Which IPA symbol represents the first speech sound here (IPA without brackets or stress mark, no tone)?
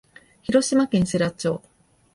ç